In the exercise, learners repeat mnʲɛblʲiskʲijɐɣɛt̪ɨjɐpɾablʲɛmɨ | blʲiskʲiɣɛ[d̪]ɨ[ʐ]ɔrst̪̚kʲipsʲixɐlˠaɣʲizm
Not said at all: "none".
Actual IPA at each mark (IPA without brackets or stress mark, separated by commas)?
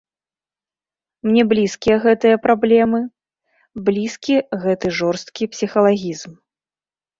t̪, ʐ